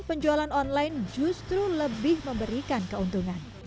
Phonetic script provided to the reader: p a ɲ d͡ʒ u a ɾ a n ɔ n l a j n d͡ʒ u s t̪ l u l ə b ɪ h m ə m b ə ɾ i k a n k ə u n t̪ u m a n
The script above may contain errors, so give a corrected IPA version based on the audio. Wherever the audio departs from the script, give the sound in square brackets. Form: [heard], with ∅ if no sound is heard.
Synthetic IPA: p [ə] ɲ d͡ʒ u a [l] a n ɔ n l a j n d͡ʒ u s t̪ [ɾ] u l ə b ɪ h m ə m b ə ɾ i k a n k ə u n t̪ u [ŋ] a n